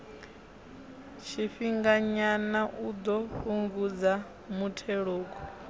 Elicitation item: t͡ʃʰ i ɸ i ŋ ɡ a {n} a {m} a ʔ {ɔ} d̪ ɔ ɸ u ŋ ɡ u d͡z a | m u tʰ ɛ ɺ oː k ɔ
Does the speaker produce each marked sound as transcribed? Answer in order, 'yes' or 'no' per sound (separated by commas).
no, no, no